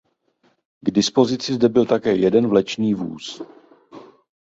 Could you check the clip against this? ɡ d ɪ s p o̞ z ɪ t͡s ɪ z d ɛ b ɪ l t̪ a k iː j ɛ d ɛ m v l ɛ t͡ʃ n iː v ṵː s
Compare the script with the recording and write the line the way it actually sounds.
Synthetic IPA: ɡ d ɪ s p o̞ z ɪ t͡s ɪ z d ɛ b ɪ l t̪ a k ɛː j ɛ d ɛ n v l ɛ t͡ʃ n iː v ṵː s